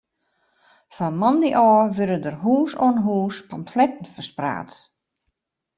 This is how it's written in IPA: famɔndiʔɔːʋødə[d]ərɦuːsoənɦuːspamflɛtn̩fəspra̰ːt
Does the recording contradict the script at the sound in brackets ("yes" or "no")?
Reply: no